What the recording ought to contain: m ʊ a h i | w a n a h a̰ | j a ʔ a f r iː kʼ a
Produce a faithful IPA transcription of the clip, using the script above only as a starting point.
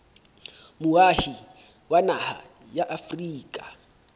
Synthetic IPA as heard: m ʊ a h i | w a n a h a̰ | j a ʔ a f r iː kʼ a